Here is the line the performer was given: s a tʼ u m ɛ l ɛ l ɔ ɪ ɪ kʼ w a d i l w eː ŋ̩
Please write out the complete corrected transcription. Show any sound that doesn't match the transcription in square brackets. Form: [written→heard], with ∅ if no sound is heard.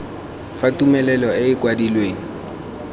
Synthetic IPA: [s→f] a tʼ u m ɛ l ɛ l ɔ ɪ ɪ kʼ w a d i l w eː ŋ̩